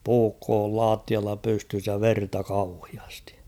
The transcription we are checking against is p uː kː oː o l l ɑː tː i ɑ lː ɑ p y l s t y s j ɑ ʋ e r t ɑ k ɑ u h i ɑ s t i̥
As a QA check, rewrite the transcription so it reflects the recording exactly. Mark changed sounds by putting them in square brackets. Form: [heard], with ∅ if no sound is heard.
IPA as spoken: p uː kː oː o l l ɑː tː i ɑ lː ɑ p y [∅] s t y s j ɑ ʋ e r t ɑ k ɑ u h i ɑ s t i̥